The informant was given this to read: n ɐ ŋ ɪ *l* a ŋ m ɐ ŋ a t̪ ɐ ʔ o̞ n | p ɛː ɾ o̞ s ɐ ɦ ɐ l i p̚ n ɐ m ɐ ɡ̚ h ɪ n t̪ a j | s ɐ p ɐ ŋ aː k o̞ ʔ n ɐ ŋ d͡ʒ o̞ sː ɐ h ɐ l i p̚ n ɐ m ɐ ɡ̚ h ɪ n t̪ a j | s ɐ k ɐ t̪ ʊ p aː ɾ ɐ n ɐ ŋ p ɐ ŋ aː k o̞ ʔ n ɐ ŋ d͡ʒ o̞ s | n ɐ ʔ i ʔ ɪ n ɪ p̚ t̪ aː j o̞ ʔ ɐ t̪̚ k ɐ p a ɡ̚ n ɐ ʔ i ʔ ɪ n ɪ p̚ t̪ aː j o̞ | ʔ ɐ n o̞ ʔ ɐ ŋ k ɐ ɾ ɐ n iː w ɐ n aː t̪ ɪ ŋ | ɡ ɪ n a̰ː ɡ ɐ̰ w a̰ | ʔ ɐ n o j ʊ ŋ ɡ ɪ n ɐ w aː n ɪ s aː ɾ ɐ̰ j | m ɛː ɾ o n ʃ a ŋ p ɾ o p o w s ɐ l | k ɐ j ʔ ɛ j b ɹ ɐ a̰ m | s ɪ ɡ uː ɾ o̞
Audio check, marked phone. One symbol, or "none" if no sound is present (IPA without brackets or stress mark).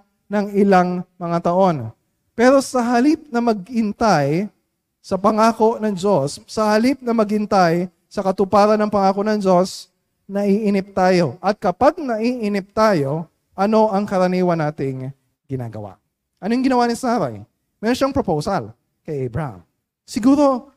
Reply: l